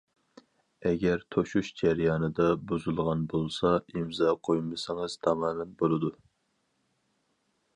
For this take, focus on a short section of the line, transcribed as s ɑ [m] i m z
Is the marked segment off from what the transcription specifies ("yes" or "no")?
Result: yes